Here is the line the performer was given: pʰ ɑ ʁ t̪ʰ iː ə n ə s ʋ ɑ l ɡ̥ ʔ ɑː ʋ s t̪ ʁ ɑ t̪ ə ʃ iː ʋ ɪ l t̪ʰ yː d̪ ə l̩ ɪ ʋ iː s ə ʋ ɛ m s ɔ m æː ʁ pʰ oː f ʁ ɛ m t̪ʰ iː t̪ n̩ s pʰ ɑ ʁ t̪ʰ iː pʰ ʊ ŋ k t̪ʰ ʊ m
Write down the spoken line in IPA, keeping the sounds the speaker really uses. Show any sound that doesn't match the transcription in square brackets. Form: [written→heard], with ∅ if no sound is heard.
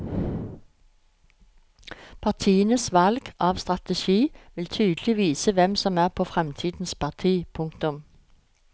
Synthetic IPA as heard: pʰ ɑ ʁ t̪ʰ iː ə n ə s ʋ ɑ l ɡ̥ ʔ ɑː ʋ s t̪ ʁ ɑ t̪ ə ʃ iː ʋ ɪ l t̪ʰ yː d̪ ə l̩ ɪ ʋ iː s ə ʋ ɛ m s ɔ m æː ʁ pʰ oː f ʁ ɛ m t̪ʰ iː [t̪→d̪] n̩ s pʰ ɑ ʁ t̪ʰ iː pʰ ʊ ŋ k [t̪ʰ→t̪] ʊ m